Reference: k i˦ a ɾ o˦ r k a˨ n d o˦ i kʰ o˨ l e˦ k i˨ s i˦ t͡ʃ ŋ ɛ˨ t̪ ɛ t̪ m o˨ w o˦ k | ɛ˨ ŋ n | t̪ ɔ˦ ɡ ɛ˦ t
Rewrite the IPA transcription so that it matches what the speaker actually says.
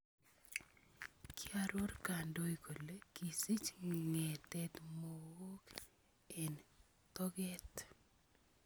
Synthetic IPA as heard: k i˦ a ɾ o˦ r k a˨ n d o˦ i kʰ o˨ l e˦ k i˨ s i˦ t͡ʃ ŋ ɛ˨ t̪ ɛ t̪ m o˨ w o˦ k | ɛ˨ n | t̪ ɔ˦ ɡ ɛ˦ t